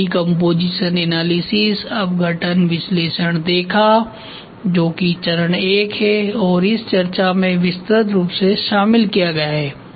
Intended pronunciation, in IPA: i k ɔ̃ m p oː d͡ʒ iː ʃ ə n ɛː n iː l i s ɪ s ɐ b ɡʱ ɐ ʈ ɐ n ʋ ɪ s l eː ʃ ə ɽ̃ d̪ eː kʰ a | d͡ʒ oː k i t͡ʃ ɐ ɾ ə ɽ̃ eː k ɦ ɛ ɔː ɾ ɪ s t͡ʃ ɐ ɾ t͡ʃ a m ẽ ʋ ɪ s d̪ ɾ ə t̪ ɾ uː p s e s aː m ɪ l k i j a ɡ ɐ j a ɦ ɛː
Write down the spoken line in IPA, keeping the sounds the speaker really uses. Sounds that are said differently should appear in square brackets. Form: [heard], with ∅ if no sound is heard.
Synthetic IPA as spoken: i k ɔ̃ m p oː d͡ʒ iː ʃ ə n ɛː n [aː] l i s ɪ s ɐ b ɡʱ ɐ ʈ [ə] n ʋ ɪ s l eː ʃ ə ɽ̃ d̪ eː kʰ a | d͡ʒ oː k i t͡ʃ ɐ ɾ ə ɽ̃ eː k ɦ ɛ ɔː ɾ ɪ s t͡ʃ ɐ ɾ t͡ʃ a m ẽ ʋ ɪ s [t̪] ɾ ə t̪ ɾ uː p s e [ʃ] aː m ɪ l k i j a ɡ ɐ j a ɦ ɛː